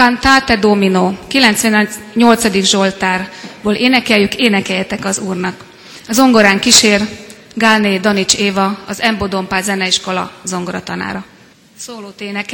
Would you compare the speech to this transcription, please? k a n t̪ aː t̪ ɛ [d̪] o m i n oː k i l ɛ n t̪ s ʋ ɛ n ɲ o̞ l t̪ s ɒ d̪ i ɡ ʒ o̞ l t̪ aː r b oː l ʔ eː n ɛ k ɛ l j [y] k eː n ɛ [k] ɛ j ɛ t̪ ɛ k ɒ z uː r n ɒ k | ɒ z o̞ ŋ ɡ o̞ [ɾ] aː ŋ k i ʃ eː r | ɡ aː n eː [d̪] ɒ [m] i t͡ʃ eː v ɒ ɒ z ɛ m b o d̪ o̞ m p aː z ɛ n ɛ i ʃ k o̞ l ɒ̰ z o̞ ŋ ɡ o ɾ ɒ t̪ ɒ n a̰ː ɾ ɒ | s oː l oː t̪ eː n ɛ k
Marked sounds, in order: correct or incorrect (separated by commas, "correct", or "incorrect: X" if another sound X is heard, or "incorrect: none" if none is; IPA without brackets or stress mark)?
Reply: correct, correct, correct, correct, correct, incorrect: n